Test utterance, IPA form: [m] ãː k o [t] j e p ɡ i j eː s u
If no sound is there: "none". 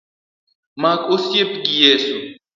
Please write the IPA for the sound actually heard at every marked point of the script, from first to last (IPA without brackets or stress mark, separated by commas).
m, s